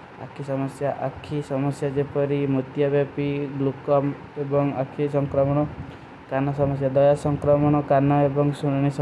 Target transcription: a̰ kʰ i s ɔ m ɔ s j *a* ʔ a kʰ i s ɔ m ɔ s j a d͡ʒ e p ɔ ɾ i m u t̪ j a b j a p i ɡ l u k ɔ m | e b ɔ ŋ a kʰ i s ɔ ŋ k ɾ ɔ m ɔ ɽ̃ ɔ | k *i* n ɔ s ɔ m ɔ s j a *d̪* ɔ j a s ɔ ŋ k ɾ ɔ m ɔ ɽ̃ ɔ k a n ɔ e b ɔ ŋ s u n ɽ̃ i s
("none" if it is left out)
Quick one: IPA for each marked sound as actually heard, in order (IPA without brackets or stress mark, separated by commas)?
a, a, d̪